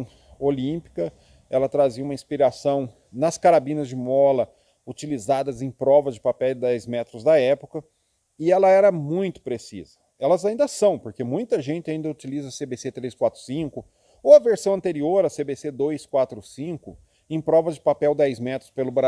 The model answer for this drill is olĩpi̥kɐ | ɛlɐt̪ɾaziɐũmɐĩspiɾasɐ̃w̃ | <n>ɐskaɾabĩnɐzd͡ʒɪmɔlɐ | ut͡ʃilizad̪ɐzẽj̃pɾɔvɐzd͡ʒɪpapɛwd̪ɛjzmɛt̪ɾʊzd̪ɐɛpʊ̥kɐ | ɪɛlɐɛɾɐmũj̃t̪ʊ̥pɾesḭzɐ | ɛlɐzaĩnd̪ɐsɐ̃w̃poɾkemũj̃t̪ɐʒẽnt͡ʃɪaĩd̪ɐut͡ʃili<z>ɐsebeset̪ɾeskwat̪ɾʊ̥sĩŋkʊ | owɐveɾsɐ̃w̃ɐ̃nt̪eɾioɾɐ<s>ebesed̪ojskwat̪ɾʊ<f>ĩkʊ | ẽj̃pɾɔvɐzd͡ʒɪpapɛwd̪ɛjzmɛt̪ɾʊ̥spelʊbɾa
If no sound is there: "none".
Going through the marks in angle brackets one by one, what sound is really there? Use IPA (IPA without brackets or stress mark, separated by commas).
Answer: n, z, s, s